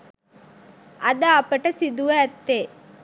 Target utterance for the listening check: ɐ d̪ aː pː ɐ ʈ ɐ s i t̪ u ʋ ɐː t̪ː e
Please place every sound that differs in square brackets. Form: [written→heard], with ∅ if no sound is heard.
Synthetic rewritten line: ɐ d̪ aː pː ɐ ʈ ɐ s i [t̪→d̪] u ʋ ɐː t̪ː e

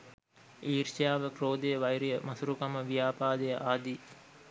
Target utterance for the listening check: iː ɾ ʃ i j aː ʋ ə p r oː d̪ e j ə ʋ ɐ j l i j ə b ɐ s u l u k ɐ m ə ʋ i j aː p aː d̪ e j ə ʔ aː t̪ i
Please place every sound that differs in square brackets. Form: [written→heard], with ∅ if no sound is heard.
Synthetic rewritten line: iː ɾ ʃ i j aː ʋ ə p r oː d̪ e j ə ʋ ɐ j [l→ɾ] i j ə [b→m] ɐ s u [l→ɾ] u k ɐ m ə ʋ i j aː p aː d̪ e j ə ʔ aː [t̪→d̪] i

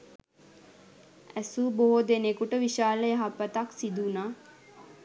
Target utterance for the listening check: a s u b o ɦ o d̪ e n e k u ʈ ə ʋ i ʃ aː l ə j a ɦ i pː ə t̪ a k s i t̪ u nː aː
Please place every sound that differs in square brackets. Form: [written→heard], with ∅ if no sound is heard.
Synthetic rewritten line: [a→æ] s u b o ɦ o d̪ e n e k u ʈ ə ʋ i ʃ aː l ə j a ɦ [i→a] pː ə t̪ a k s i [t̪→d̪] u [nː→n] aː

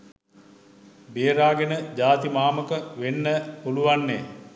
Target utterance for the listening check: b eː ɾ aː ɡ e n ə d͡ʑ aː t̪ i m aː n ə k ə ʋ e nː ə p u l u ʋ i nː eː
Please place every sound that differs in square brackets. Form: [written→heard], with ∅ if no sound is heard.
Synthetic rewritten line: b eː ɾ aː ɡ e n ə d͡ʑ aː t̪ i m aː [n→m] ə k ə ʋ e nː ə p u l u ʋ [i→a] nː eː

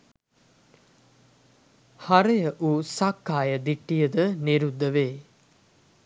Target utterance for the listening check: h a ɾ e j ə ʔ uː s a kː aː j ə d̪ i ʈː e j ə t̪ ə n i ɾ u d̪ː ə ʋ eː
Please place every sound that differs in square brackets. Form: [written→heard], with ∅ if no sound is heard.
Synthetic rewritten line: h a ɾ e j ə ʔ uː s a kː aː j ə d̪ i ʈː [e→i] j ə [t̪→d̪] ə n i ɾ u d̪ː ə ʋ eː

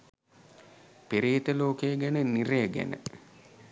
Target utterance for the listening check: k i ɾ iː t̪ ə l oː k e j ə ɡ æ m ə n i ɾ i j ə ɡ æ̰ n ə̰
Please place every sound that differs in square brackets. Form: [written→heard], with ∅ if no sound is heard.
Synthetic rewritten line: [k→p] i ɾ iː t̪ ə l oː k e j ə ɡ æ [m→n] ə n i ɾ [i→e] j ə ɡ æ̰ n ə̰

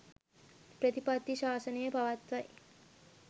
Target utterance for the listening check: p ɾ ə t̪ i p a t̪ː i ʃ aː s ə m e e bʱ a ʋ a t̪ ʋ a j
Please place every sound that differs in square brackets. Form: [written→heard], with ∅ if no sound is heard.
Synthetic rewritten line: p ɾ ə t̪ i p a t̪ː i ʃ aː s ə [m→n] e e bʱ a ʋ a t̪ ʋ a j

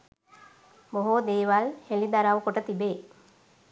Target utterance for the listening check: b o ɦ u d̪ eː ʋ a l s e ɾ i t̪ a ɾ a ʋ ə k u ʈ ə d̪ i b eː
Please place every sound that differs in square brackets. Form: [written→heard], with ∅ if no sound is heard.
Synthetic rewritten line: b o ɦ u d̪ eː ʋ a l [s→h] e [ɾ→l] i [t̪→d̪] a ɾ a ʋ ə k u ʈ ə [d̪→t̪] i b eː

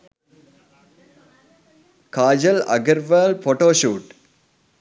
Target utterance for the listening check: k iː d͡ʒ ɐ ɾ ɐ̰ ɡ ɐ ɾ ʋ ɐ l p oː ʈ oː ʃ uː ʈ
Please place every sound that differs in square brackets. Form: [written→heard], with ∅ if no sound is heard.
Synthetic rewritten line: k [iː→aː] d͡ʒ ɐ [ɾ→l] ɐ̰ ɡ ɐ ɾ ʋ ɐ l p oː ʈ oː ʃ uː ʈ

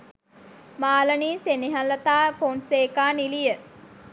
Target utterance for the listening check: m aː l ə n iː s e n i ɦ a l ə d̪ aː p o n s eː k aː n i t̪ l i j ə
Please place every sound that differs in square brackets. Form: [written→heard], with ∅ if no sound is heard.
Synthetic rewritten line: m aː l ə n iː s e n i ɦ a l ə [d̪→t̪] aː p o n s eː k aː n i [t̪→∅] l i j ə

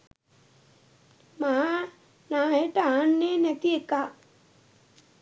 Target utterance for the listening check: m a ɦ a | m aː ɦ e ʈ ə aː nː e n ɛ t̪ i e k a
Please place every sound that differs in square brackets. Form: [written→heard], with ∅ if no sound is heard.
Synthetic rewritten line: m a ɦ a | [m→n] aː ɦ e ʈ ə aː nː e n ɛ t̪ i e k a

